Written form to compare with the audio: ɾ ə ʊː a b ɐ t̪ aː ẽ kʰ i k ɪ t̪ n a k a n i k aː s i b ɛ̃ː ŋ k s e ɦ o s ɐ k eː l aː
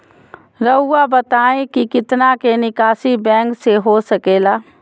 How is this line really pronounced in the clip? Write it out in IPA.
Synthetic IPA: ɾ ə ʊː a b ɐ t̪ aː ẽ k i k ɪ t̪ n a k e n ɪ k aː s i b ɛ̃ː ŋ k s e ɦ o s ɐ k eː l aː